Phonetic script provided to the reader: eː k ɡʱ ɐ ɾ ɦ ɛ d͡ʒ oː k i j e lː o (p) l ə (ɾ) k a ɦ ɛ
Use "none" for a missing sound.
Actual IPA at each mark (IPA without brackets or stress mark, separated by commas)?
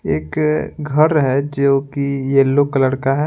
k, ɽ